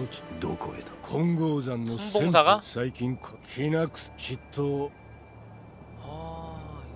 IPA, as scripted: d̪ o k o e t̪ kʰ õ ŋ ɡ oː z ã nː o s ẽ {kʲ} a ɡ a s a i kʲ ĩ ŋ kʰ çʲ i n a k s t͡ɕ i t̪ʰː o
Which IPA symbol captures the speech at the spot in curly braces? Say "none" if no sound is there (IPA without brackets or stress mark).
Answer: none